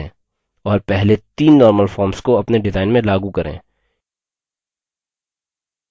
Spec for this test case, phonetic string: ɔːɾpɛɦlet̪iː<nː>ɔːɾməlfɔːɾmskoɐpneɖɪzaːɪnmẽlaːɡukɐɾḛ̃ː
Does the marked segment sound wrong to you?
no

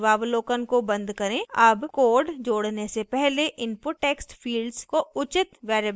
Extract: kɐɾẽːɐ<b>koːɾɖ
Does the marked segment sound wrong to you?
no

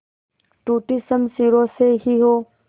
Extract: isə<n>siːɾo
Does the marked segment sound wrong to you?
yes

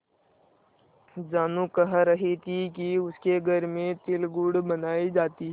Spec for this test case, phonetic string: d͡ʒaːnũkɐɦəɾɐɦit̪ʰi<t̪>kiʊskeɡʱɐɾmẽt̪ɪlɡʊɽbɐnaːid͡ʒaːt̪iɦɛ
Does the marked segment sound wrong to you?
yes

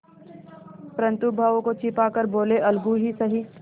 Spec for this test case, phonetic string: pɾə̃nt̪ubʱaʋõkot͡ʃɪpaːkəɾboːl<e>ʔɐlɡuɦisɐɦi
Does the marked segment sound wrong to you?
no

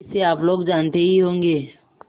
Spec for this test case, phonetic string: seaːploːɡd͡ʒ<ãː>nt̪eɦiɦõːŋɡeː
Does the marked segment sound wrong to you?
yes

